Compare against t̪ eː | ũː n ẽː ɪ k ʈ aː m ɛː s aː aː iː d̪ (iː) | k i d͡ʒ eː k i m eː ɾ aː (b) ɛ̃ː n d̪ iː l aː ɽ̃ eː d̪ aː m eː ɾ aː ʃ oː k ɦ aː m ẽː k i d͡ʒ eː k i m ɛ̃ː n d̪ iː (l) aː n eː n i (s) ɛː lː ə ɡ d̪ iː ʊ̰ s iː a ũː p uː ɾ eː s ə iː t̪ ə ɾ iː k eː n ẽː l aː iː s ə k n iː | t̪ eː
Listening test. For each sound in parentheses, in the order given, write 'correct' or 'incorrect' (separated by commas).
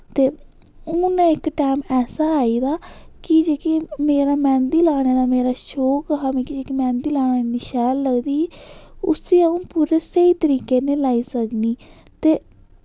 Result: incorrect, incorrect, correct, incorrect